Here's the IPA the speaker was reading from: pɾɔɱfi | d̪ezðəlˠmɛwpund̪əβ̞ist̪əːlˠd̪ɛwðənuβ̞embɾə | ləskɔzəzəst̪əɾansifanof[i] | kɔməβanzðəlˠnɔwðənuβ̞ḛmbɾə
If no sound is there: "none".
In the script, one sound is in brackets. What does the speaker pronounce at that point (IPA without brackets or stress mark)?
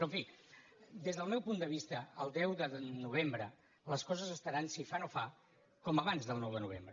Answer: a